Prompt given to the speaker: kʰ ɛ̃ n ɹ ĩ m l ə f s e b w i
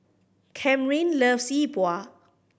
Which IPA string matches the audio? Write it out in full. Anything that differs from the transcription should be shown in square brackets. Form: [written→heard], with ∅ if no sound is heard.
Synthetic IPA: kʰ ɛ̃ [n→m] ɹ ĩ [m→n] l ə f s [e→i] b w [i→a]